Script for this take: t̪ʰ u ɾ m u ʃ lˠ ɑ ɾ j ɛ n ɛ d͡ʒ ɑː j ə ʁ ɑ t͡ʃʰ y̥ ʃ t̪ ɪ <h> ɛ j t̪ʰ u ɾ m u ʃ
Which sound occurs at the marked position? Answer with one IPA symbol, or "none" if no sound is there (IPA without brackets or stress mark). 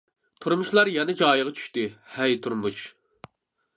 h